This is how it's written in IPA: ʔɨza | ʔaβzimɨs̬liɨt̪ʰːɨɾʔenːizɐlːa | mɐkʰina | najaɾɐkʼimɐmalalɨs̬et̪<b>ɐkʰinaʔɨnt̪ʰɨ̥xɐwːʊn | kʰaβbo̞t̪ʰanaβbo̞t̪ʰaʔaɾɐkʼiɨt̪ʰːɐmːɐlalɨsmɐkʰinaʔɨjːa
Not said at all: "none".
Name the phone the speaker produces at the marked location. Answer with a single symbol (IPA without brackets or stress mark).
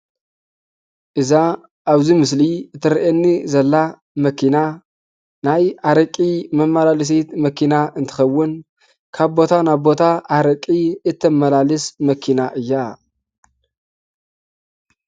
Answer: m